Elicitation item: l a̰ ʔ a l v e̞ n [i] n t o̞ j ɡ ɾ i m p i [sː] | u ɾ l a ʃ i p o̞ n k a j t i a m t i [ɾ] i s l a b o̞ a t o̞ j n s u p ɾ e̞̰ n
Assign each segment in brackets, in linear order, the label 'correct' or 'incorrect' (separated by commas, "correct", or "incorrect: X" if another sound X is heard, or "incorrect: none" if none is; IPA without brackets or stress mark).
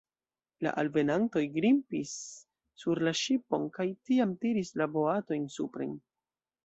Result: incorrect: a, correct, correct